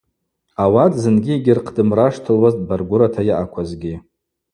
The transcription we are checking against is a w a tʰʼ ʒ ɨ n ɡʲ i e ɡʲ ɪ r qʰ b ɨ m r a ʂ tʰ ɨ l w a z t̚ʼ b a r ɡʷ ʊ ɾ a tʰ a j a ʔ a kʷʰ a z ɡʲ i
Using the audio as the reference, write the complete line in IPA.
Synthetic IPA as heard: a w a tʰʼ z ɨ n ɡʲ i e ɡʲ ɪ r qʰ d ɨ m r a ʂ tʰ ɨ l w a z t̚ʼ b a r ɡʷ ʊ ɾ a tʰ a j a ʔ a kʷʰ a z ɡʲ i